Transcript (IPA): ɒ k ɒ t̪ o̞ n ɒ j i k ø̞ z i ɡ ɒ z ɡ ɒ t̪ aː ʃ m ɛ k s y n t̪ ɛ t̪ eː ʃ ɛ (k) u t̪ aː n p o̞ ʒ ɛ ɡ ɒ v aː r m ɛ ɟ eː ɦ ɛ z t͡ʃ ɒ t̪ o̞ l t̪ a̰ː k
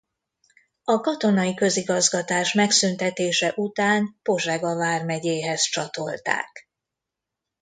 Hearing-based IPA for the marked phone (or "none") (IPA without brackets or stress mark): ʔ